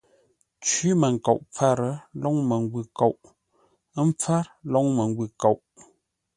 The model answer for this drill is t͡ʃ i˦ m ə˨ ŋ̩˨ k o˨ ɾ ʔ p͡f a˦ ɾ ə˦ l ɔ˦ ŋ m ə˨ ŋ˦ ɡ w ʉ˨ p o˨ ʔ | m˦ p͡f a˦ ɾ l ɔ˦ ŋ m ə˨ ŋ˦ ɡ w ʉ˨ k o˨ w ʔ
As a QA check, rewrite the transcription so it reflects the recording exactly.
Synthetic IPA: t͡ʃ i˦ m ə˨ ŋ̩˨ k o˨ ʔ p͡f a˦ ɾ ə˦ l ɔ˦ ŋ m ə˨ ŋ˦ ɡ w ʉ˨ k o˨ ʔ | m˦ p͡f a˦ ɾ l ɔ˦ ŋ m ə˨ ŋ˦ ɡ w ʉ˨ k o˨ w ʔ